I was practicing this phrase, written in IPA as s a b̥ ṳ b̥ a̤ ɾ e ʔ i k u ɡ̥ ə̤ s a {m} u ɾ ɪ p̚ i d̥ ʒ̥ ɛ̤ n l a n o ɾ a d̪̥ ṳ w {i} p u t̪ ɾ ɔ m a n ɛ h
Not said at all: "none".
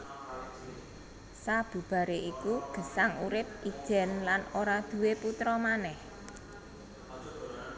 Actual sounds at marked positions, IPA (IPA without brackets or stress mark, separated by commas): ŋ, e